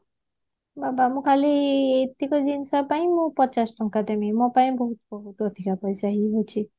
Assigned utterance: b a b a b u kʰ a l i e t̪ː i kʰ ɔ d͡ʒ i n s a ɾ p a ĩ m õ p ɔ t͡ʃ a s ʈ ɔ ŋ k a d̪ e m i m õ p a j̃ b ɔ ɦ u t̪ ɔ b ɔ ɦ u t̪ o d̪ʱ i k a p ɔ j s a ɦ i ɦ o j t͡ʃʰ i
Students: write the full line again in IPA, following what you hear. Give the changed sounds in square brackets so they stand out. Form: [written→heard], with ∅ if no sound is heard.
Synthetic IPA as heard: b a b a [b→m] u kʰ a l i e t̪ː i [kʰ→k] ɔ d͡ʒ i n s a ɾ p a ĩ m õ p ɔ t͡ʃ a s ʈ ɔ ŋ k a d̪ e m i m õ p a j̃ b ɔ ɦ u t̪ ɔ b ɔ ɦ u t̪ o d̪ʱ i k a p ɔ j s a ɦ i ɦ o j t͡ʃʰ i